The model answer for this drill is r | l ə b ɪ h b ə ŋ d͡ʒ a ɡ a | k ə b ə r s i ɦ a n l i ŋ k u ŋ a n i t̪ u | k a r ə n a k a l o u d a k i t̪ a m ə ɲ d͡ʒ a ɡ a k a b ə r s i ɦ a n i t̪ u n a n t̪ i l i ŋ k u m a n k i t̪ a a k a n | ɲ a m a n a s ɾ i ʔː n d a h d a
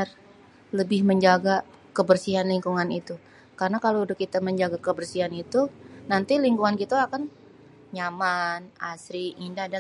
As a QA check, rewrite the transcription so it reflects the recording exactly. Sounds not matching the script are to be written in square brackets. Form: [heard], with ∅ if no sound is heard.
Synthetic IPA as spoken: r | l ə b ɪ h [m] ə [ɲ] d͡ʒ a ɡ a | k ə b ə r s i ɦ a n l i ŋ k u ŋ a n i t̪ u | k a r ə n a k a l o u d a k i t̪ a m ə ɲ d͡ʒ a ɡ a k [ə] b ə r s i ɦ a n i t̪ u n a n t̪ i l i ŋ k u [ŋ] a n k i t̪ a a k a n | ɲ a m a n a s ɾ i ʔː n d a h d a